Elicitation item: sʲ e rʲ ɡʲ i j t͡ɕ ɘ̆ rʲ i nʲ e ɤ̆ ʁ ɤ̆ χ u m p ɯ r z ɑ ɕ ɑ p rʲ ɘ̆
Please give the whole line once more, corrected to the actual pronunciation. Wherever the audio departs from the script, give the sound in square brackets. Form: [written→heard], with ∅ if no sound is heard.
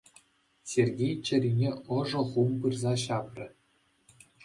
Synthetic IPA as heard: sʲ e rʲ ɡʲ [i→e] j t͡ɕ ɘ̆ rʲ i nʲ e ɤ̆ [ʁ→ʐ] ɤ̆ χ u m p ɯ r z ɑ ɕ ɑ p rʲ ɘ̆